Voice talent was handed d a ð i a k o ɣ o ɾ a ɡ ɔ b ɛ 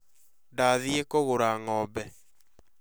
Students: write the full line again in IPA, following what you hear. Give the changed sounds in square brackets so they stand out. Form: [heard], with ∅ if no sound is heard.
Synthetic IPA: d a ð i [e] k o ɣ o ɾ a [ŋ] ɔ b ɛ